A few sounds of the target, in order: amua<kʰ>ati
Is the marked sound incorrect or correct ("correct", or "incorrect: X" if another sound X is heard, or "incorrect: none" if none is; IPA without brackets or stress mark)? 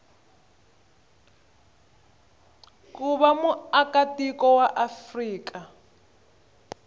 incorrect: k